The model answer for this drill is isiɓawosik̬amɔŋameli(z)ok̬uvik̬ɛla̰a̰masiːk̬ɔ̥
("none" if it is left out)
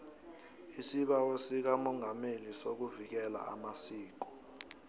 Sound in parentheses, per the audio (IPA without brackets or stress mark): s